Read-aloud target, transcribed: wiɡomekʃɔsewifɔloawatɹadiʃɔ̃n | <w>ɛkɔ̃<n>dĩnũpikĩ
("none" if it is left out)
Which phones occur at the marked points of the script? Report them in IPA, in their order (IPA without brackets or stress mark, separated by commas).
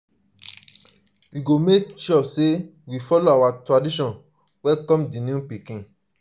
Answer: w, m